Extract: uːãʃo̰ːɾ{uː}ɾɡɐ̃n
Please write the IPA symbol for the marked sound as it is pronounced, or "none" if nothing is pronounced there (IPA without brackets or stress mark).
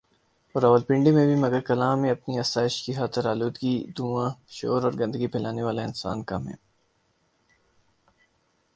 ɔː